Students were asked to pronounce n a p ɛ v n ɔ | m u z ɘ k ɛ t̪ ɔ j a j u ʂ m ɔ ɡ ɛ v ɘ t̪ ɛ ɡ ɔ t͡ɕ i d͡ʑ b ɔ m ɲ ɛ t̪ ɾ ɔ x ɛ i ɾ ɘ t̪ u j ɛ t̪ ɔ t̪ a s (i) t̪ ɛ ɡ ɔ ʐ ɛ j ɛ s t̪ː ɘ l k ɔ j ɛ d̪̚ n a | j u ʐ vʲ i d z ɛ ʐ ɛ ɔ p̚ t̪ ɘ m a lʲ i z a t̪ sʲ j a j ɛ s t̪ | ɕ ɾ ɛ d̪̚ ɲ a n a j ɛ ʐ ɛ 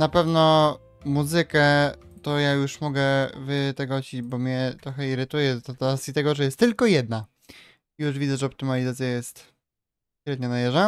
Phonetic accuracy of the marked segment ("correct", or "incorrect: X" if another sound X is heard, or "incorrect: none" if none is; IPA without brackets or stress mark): correct